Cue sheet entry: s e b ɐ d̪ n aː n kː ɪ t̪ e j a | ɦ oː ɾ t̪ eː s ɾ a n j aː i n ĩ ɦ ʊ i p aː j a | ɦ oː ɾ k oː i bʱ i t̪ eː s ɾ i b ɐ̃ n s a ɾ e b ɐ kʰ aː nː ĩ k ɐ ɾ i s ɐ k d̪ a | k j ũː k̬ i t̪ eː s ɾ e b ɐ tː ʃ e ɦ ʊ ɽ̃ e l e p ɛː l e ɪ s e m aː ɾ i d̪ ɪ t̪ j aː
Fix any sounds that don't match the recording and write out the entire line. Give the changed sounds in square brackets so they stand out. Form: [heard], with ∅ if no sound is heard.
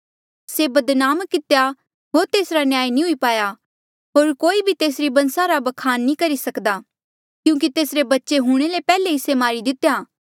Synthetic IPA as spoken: s e b ɐ d̪ n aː [m] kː ɪ t̪ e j a | ɦ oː ɾ t̪ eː s ɾ a n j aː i n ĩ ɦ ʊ i p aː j a | ɦ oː ɾ k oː i bʱ i t̪ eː s ɾ i b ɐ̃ n s a ɾ [a] b ɐ kʰ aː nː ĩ k ɐ ɾ i s ɐ k d̪ a | k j ũː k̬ i t̪ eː s ɾ e b ɐ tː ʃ e ɦ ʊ ɽ̃ e l e p ɛː l e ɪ s e m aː ɾ i d̪ ɪ t̪ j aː